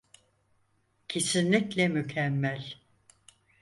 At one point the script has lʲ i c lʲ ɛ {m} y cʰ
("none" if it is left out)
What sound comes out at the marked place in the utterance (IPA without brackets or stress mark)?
m